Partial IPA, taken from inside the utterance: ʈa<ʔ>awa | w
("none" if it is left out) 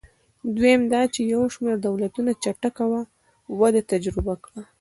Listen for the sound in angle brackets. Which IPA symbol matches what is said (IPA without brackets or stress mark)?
k